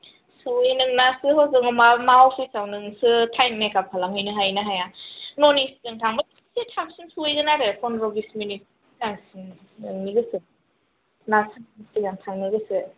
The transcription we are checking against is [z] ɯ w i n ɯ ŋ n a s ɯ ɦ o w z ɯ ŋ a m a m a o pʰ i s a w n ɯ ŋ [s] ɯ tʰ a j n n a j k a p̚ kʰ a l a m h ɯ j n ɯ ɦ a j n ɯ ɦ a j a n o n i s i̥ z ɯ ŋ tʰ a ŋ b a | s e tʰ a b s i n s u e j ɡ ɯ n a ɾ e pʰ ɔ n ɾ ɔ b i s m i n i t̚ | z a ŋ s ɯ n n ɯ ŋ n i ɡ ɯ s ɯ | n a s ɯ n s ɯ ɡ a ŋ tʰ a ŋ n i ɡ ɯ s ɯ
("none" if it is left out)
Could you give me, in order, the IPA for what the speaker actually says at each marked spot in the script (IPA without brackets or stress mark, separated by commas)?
s, s